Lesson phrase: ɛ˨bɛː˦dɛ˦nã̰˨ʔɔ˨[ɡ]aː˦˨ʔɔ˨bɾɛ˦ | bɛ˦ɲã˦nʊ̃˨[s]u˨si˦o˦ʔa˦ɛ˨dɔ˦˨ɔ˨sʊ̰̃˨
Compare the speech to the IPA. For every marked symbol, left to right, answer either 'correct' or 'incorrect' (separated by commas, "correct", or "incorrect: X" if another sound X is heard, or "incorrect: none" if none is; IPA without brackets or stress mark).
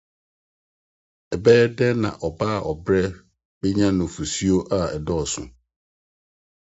incorrect: b, incorrect: f